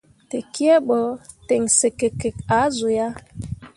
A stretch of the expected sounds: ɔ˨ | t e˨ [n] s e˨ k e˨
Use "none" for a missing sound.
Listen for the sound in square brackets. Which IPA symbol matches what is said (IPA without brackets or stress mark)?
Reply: ŋ